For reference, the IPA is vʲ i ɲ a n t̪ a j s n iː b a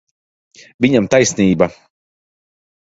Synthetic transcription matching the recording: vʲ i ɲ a m t̪ a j s n iː b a